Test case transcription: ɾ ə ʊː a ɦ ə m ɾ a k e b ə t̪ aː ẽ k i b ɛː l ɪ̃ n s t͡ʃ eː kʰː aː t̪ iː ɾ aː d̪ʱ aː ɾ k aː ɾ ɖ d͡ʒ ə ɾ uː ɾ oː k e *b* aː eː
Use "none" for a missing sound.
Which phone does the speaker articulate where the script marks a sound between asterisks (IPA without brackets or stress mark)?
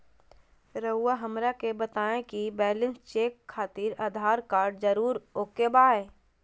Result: b